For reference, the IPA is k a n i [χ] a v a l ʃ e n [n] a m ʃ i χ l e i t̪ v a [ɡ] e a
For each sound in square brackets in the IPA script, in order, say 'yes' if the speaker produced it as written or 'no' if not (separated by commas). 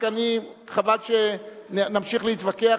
yes, yes, no